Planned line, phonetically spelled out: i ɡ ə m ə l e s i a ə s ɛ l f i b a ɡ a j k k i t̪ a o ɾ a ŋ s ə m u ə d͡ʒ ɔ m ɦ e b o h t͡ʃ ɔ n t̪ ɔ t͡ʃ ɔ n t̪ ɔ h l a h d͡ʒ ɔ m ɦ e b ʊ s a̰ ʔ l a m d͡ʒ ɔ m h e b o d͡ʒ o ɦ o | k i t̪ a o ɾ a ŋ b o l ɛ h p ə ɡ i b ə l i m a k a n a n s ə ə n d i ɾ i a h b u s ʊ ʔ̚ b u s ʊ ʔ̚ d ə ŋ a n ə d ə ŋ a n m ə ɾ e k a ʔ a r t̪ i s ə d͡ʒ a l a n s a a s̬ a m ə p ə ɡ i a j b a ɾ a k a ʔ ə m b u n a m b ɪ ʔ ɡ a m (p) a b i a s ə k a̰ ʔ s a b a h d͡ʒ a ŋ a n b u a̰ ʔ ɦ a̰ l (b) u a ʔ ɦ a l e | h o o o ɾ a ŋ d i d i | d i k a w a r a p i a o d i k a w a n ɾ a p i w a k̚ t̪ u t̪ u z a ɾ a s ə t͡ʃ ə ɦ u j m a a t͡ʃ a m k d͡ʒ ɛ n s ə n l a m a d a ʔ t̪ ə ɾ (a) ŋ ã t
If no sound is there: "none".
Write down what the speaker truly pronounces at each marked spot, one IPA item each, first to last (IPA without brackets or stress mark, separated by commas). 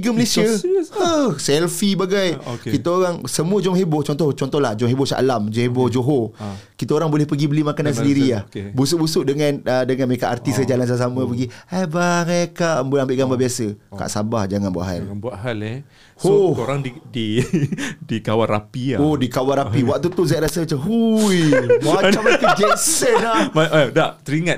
b, b, i